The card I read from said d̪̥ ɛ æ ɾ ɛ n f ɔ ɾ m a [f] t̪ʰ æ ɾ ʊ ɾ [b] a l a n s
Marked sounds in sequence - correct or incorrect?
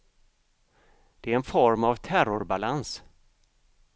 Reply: incorrect: v, correct

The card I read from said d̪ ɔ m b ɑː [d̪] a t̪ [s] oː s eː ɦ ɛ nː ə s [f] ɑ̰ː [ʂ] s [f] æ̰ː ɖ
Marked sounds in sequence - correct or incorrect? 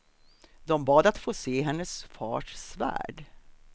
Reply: correct, incorrect: f, correct, correct, incorrect: v

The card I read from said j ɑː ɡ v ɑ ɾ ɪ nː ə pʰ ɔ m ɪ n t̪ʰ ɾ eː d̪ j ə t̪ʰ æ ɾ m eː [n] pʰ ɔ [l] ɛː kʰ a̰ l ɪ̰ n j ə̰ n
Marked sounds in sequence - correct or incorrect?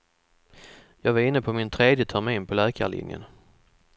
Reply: correct, correct

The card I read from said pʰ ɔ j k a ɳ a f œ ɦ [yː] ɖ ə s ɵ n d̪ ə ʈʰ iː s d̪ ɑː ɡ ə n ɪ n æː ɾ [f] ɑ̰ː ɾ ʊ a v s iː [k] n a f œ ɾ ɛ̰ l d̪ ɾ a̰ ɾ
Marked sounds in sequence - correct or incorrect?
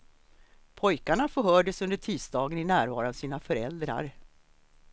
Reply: incorrect: œː, incorrect: v, incorrect: none

